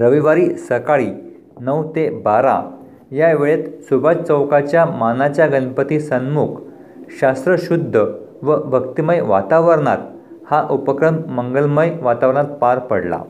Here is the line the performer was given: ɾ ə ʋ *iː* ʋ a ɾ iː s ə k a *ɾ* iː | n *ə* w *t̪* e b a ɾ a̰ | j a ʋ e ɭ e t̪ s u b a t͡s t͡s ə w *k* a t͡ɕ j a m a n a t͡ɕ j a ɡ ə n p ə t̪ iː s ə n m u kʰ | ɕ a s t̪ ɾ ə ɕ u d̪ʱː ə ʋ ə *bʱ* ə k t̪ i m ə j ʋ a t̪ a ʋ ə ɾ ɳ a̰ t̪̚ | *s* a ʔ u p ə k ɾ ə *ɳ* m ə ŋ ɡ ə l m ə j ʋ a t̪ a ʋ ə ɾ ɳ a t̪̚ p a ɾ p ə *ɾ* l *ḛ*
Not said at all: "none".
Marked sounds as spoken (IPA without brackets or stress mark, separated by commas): i, ɭ, ə, t̪, k, bʱ, h, m, ɽ, a̰